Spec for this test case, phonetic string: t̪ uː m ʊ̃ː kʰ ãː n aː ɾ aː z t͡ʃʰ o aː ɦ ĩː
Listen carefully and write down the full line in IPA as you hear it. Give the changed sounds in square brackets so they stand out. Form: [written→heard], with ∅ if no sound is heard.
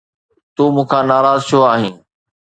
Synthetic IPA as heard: t̪ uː m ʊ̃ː kʰ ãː n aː ɾ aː z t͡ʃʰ o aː ɦ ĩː